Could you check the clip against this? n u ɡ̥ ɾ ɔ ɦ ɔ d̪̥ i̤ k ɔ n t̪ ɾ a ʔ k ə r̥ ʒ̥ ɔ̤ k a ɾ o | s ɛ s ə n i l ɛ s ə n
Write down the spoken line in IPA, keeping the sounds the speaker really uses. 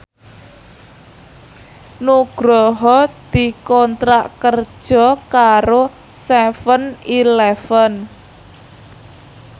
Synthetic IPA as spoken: n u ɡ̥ ɾ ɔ ɦ ɔ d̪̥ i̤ k ɔ n t̪ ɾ a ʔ k ə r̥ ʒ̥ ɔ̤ k a ɾ o | s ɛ f ə n i l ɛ f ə n